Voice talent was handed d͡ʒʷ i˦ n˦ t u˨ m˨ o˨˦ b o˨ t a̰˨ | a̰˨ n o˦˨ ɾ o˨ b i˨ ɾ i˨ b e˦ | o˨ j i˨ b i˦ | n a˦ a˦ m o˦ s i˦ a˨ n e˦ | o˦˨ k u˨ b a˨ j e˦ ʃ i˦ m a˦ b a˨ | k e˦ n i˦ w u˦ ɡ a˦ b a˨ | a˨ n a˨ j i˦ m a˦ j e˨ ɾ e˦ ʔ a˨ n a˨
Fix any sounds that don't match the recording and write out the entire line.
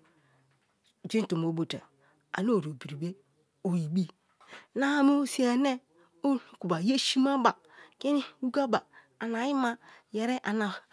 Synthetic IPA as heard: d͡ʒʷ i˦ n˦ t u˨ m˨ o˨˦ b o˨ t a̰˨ | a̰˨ n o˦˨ ɾ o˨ b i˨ ɾ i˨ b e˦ | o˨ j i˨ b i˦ | n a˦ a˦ m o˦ s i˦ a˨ n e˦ | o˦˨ k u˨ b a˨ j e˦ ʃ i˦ m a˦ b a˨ | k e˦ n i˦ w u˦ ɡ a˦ b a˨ | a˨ n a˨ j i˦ m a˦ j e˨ ɾ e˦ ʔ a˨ n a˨